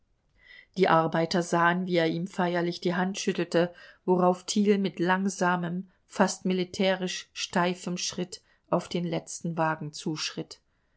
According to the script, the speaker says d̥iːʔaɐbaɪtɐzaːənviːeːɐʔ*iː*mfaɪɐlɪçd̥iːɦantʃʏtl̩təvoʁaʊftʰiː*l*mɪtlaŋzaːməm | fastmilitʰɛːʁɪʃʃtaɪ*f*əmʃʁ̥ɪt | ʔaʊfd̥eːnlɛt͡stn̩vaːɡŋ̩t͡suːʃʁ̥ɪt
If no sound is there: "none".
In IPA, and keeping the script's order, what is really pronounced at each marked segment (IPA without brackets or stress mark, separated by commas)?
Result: iː, l, f